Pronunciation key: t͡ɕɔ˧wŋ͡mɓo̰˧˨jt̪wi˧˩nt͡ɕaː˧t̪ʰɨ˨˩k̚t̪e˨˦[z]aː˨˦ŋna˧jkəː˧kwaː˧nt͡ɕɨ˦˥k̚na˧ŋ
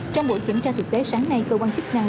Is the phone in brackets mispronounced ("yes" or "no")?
yes